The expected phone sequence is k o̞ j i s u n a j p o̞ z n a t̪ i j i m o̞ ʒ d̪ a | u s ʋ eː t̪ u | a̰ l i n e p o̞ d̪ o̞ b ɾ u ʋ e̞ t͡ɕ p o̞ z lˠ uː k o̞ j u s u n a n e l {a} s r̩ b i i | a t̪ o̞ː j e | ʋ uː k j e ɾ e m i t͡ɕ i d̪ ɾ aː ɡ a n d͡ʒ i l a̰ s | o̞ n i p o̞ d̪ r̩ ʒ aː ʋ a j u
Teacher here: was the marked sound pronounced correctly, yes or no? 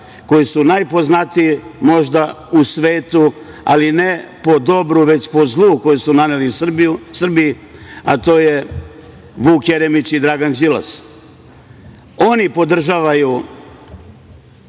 no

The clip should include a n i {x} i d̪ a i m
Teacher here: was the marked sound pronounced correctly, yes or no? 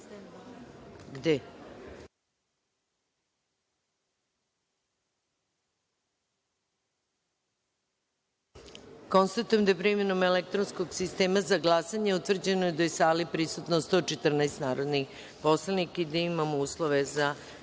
no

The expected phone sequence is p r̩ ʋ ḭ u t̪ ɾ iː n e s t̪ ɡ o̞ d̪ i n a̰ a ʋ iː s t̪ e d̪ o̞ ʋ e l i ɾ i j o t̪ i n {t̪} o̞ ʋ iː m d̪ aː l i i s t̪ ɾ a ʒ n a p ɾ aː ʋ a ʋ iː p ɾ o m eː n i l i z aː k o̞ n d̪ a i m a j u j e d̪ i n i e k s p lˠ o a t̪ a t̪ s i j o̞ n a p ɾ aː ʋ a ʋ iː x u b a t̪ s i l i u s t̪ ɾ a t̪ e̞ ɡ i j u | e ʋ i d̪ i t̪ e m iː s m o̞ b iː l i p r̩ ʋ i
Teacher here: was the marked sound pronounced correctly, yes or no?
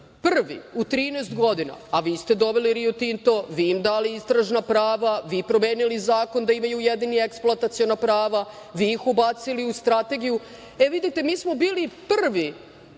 yes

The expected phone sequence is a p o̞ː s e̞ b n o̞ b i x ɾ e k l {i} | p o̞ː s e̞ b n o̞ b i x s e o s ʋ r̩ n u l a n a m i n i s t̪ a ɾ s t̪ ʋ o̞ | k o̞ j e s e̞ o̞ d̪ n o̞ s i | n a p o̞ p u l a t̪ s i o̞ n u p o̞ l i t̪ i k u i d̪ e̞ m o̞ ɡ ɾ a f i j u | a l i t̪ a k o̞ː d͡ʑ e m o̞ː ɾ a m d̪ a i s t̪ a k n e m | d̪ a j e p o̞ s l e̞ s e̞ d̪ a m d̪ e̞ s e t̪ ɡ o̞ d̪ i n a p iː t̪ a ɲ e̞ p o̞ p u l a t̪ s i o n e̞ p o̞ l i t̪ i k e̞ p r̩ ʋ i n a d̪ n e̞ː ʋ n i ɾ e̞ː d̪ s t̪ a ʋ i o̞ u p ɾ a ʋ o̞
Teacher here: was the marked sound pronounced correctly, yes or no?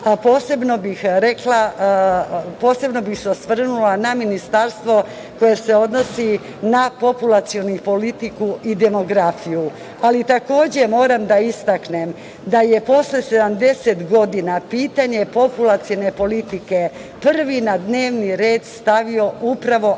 no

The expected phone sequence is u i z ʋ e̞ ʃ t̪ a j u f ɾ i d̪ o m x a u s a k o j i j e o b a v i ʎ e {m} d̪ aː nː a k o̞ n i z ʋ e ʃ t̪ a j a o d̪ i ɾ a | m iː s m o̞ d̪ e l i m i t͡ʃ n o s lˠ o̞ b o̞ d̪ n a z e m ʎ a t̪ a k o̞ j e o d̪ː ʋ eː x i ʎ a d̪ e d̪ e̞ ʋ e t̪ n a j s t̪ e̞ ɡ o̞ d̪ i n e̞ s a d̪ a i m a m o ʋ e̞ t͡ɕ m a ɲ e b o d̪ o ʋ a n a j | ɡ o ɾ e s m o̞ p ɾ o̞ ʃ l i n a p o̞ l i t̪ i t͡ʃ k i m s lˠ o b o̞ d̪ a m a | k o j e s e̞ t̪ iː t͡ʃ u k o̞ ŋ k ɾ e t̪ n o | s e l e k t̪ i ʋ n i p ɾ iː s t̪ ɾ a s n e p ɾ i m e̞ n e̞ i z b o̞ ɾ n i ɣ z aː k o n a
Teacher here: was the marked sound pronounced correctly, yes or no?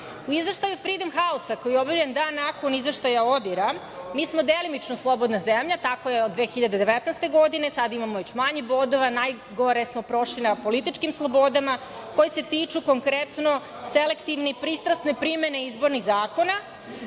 no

